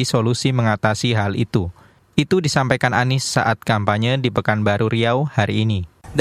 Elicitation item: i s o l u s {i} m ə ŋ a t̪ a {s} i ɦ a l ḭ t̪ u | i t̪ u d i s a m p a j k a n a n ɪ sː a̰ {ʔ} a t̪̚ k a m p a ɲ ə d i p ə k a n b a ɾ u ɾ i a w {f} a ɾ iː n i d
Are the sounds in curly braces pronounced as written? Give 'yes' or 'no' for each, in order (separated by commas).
yes, yes, yes, no